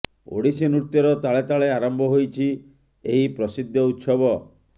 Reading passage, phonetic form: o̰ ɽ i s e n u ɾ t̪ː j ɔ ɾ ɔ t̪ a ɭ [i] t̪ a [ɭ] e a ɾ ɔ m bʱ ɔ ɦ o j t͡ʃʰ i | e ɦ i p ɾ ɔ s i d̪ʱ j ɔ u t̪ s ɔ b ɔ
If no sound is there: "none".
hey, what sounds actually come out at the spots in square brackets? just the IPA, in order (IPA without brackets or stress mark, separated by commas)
e, ɭ